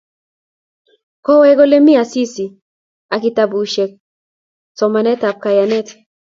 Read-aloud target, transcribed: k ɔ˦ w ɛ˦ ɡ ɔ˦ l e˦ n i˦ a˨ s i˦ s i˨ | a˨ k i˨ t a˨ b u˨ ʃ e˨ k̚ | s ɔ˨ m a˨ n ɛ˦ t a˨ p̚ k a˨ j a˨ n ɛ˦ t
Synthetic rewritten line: k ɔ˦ w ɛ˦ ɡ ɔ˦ l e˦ m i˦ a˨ s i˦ s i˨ | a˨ k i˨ t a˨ b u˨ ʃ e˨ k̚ | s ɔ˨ m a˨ n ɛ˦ t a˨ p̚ k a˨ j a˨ n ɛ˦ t